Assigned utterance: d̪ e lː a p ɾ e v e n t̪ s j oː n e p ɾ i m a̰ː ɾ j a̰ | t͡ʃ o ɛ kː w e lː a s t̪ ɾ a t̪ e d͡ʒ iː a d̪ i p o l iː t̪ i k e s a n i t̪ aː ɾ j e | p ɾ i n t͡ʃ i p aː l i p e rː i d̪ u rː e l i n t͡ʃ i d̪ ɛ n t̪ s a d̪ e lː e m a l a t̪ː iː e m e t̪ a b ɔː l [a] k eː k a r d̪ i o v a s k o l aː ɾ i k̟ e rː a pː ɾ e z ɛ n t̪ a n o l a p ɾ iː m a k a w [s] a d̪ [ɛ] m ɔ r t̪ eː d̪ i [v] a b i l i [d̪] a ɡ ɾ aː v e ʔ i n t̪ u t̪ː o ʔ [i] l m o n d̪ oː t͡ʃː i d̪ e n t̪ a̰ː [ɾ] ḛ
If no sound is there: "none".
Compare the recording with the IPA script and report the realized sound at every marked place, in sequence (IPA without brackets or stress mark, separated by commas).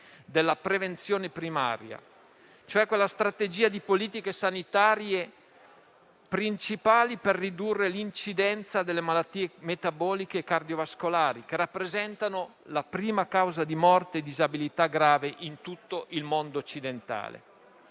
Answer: i, z, i, z, t̪, i, l